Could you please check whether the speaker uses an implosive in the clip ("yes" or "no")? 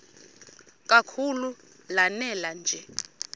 no